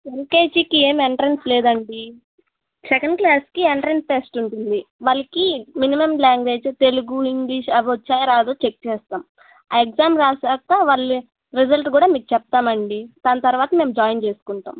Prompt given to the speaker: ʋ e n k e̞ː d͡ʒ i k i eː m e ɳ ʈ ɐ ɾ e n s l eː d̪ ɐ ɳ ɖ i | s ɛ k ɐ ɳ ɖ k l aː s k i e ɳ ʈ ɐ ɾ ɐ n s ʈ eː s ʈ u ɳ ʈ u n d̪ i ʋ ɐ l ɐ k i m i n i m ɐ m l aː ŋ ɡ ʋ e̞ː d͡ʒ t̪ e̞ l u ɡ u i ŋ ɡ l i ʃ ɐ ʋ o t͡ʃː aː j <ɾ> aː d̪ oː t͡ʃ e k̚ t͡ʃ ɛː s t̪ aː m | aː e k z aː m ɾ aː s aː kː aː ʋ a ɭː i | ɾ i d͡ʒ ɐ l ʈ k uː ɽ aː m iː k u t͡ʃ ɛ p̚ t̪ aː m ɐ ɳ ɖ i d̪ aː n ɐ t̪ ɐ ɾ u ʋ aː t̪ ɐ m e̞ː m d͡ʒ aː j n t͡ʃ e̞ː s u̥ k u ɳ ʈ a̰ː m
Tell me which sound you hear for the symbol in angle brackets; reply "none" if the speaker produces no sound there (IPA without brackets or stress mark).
ɾ